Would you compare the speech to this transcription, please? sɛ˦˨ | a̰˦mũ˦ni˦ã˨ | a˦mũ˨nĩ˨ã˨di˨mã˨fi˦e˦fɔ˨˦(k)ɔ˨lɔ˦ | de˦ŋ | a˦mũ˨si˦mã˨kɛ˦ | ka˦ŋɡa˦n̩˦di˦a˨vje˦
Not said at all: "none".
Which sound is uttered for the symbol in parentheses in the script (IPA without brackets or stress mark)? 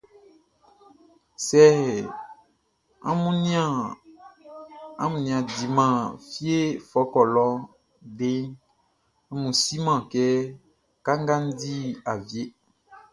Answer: k